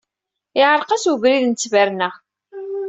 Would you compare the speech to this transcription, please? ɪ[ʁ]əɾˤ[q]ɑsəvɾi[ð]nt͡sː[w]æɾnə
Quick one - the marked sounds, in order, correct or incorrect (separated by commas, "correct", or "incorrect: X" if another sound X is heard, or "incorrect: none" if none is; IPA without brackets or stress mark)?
incorrect: ʕ, correct, correct, incorrect: v